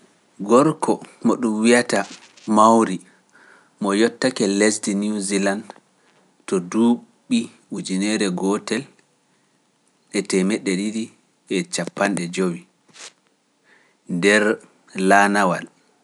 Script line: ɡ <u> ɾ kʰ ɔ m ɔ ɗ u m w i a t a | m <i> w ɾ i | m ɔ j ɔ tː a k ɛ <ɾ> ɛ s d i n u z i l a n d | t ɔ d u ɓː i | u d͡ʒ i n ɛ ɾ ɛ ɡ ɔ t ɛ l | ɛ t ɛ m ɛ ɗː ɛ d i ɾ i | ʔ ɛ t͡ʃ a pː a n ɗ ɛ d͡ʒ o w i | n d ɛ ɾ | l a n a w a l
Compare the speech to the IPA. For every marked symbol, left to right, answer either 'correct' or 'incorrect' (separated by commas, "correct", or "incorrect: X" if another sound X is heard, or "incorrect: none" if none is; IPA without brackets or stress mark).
incorrect: ɔ, incorrect: a, incorrect: l